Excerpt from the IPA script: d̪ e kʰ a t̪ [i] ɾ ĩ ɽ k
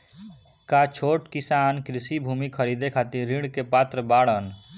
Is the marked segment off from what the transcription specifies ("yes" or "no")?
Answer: no